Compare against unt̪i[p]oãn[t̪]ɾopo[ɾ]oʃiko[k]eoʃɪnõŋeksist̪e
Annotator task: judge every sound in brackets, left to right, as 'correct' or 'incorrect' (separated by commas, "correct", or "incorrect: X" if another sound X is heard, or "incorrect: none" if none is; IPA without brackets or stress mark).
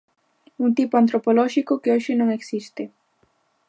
correct, correct, incorrect: l, correct